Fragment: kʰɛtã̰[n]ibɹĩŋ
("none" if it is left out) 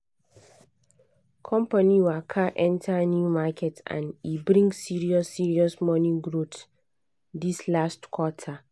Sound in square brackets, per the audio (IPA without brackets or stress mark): n